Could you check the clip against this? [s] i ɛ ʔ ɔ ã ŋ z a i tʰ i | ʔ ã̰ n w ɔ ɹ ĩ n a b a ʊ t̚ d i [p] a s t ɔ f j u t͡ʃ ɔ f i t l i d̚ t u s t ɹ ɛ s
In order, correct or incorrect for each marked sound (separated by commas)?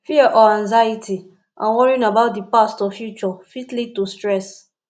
incorrect, correct